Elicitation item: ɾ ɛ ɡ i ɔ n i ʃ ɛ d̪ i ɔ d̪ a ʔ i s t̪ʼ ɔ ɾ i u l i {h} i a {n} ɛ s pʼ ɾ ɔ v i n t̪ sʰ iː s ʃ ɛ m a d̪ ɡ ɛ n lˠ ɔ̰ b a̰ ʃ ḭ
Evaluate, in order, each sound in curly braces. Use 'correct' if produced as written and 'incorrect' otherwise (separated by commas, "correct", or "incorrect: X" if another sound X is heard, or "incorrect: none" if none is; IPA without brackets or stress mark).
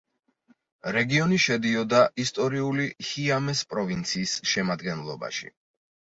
correct, incorrect: m